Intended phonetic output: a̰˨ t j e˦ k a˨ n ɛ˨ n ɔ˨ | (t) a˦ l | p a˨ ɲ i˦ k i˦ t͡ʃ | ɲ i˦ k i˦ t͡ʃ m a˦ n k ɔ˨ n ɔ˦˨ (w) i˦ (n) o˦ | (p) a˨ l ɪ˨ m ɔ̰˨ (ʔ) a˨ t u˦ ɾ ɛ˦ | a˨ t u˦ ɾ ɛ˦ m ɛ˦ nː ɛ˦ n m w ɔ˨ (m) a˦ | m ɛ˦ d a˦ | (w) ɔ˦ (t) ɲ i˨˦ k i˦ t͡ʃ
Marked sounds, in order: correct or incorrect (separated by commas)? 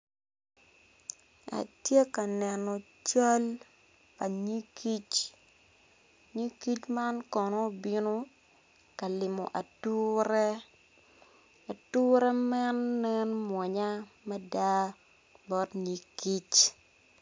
incorrect, incorrect, correct, incorrect, correct, incorrect, incorrect, correct